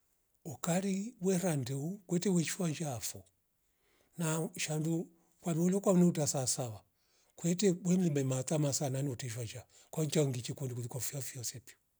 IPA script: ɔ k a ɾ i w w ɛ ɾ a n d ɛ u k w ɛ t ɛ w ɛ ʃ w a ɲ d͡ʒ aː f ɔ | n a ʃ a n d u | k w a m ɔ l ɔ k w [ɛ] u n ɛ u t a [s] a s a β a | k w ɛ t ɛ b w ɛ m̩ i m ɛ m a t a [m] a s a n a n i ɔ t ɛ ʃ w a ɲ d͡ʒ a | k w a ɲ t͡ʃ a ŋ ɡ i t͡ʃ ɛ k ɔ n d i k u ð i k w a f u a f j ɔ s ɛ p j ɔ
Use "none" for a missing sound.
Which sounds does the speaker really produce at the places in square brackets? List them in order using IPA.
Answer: a, s, m

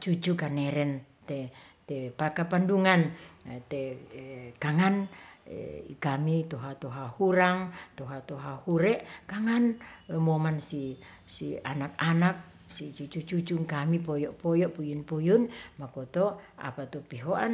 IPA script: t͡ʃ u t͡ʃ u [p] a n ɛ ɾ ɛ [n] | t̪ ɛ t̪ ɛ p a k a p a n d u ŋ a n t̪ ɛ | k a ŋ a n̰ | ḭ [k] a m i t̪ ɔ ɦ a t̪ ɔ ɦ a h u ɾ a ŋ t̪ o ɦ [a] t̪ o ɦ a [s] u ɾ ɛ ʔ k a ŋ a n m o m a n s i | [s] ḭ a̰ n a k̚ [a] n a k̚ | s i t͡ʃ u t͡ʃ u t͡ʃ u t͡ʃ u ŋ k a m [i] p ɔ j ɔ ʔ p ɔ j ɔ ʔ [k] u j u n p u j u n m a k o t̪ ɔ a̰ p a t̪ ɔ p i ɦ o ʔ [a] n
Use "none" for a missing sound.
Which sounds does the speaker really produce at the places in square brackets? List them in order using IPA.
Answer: k, n, k, a, h, s, a, i, p, a

